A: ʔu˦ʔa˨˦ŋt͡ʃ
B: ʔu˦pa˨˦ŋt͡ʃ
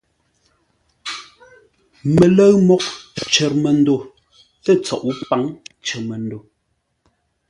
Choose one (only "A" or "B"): B